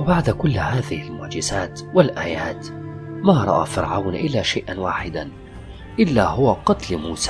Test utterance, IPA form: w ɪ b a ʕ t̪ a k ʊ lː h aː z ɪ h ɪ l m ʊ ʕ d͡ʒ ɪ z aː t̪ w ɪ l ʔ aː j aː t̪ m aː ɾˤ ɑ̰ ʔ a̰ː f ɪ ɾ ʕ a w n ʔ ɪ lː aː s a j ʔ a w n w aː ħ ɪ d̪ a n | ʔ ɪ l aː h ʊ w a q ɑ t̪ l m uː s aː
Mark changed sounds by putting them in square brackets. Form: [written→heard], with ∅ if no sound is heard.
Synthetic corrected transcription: w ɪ b a ʕ [t̪→d̪] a k ʊ lː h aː [z→ð] ɪ h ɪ l m ʊ ʕ d͡ʒ ɪ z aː t̪ w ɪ l ʔ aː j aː t̪ m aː ɾˤ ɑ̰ ʔ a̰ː f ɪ ɾ ʕ a w n ʔ ɪ lː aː [s→ʃ] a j ʔ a [w→∅] n w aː ħ ɪ d̪ a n | ʔ ɪ [l→lː] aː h ʊ w a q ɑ t̪ l m uː s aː